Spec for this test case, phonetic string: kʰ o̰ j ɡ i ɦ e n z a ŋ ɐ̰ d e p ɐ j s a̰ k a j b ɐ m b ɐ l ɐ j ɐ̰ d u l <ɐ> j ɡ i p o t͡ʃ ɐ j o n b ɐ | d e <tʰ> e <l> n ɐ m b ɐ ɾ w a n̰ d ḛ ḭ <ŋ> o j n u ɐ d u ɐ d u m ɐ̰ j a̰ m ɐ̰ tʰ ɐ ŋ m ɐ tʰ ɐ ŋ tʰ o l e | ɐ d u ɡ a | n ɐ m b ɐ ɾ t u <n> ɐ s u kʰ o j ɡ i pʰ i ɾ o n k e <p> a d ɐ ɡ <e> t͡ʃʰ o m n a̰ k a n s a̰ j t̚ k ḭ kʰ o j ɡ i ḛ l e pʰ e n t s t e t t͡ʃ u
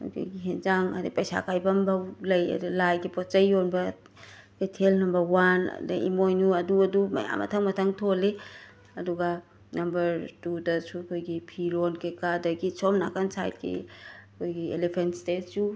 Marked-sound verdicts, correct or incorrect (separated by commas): incorrect, correct, correct, incorrect, incorrect, incorrect, incorrect